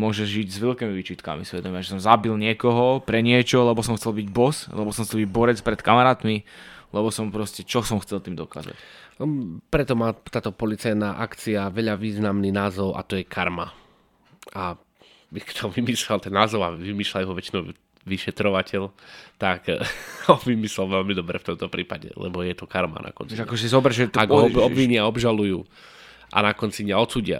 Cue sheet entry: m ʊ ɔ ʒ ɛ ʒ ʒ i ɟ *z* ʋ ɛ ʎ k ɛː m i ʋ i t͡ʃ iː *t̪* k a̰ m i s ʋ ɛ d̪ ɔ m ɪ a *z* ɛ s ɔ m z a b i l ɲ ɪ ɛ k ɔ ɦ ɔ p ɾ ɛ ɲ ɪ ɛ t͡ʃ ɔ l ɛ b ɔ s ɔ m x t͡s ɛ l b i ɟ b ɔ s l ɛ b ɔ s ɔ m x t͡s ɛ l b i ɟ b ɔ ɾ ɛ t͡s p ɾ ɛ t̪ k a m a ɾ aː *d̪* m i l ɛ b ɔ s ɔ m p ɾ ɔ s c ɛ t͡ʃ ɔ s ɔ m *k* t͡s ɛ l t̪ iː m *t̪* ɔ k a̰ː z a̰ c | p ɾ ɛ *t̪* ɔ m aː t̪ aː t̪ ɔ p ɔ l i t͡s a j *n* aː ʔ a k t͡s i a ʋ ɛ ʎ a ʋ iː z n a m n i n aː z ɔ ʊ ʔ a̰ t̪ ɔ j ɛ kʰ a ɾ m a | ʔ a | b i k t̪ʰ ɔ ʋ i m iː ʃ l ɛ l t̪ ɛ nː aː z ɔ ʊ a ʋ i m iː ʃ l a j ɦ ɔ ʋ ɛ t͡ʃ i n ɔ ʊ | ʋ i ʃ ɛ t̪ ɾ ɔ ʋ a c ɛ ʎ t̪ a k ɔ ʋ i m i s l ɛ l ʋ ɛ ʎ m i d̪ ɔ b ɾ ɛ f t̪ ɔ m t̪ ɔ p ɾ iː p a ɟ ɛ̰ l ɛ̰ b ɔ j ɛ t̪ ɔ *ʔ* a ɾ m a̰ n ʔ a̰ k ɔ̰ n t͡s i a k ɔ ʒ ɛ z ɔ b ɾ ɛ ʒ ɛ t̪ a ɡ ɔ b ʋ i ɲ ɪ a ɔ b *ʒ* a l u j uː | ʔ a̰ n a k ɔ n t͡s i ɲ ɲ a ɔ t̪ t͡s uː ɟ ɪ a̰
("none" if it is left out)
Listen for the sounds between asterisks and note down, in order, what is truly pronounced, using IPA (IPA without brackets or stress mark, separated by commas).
z, t̪, ʒ, t̪, x, d̪, t̪, n, k, ʒ